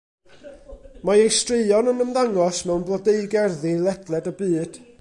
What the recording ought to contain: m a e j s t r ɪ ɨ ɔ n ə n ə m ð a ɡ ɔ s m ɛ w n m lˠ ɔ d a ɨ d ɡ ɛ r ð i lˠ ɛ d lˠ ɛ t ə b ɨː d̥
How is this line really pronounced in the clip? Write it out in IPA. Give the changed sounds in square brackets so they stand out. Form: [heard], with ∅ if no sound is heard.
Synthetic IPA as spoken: m a e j s t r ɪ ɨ ɔ n ə n ə m ð a [ŋ] ɔ s m ɛ w n [b] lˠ ɔ d [e] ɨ [∅] ɡ ɛ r ð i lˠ ɛ d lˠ ɛ [d] ə b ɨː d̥